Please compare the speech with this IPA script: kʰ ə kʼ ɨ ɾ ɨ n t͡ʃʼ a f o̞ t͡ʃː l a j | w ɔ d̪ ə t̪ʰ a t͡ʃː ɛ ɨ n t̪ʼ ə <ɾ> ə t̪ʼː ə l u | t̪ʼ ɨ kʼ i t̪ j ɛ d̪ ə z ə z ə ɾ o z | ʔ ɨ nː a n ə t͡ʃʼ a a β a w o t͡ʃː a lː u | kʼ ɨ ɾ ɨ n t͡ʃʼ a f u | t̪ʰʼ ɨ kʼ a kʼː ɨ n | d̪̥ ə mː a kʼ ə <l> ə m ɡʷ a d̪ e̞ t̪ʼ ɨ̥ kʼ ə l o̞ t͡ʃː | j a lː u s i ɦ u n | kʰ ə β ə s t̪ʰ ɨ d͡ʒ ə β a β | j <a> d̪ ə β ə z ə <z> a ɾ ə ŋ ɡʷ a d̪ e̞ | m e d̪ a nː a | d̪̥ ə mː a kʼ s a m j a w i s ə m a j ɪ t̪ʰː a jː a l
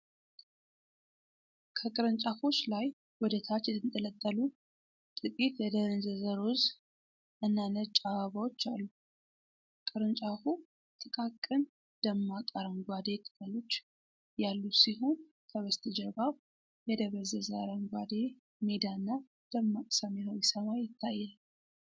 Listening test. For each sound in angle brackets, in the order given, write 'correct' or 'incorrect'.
incorrect: l, incorrect: ɾ, incorrect: ɛ, correct

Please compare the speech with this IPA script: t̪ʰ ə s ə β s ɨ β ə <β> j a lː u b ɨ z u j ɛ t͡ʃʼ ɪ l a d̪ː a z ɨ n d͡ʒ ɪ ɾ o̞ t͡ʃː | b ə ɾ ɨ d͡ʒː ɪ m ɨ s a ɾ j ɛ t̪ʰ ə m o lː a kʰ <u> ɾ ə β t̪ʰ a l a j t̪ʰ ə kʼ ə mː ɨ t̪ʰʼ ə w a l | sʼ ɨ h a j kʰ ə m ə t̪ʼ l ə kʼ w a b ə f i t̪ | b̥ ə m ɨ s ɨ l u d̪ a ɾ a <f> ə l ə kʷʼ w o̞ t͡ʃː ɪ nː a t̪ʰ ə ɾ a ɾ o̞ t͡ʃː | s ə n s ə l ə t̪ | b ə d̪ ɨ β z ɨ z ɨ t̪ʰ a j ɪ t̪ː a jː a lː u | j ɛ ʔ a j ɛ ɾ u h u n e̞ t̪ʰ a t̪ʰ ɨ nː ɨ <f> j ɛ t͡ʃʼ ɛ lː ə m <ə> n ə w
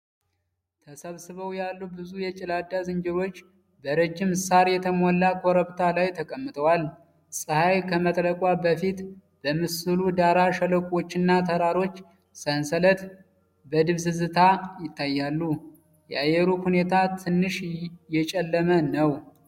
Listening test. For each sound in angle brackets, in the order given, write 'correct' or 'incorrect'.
incorrect: w, incorrect: o, incorrect: ʃ, incorrect: ʃ, correct

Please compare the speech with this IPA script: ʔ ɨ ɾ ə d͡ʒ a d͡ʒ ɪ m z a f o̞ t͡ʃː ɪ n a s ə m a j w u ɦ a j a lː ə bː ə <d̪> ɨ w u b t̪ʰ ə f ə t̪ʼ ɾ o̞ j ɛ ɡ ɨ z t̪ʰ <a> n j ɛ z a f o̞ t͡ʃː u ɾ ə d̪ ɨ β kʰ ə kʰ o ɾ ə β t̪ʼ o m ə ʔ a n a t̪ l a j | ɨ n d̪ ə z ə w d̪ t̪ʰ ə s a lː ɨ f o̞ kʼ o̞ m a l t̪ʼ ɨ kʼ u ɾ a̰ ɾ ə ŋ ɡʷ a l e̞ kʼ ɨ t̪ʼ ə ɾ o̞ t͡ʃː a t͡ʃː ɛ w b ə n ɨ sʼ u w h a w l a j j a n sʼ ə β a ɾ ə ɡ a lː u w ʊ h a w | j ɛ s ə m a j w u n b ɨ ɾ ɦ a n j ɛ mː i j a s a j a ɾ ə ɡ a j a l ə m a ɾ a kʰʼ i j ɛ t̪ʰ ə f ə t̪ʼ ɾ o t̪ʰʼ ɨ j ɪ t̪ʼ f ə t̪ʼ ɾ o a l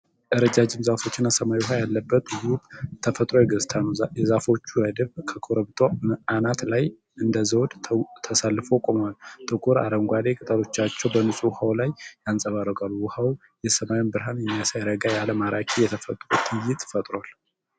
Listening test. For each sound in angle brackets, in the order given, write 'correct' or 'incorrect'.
incorrect: t̪, correct

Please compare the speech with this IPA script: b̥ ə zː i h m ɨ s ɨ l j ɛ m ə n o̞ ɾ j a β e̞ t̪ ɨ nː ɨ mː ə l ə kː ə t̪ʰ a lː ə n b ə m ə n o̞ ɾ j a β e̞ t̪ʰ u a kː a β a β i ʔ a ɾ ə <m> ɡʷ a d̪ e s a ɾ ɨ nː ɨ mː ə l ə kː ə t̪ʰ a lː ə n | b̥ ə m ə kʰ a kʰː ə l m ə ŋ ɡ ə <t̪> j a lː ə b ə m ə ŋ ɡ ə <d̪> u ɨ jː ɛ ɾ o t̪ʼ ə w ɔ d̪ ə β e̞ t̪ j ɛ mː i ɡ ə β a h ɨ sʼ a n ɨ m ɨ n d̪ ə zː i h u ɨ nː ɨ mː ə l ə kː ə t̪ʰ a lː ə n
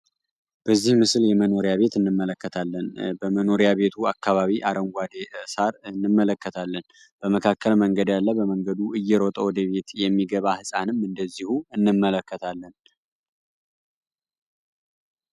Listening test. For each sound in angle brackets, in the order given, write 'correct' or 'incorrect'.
incorrect: ŋ, incorrect: d̪, correct

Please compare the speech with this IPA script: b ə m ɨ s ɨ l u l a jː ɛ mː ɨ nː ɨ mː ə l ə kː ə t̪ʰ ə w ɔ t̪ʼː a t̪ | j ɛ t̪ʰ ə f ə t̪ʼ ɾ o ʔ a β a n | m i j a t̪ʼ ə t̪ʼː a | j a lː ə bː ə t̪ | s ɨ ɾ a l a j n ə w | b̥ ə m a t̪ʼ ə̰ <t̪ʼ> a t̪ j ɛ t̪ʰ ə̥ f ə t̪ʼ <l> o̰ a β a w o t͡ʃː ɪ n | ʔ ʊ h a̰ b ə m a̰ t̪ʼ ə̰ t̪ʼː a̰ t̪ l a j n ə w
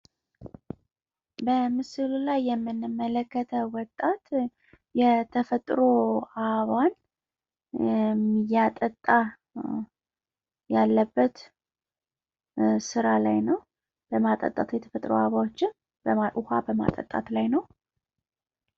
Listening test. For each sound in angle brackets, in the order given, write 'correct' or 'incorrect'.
correct, incorrect: ɾ

